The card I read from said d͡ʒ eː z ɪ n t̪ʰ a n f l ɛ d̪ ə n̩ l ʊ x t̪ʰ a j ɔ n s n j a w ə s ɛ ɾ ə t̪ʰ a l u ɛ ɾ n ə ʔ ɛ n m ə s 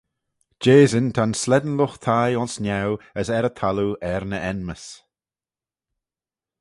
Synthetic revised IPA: d͡ʒ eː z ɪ n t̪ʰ a n s l ɛ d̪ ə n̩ l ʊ x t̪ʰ a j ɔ n s n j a w ə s ɛ ɾ ə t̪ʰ a l u ɛ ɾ n ə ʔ ɛ n m ə s